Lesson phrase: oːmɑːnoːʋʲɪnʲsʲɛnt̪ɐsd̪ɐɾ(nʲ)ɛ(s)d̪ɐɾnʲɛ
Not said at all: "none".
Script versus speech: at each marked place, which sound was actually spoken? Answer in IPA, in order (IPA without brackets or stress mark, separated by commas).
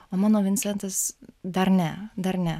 nʲ, none